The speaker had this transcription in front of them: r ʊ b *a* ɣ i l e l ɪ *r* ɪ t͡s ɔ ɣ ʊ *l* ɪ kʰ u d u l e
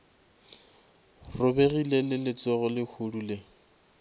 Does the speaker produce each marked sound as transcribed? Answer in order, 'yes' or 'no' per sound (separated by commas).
no, no, yes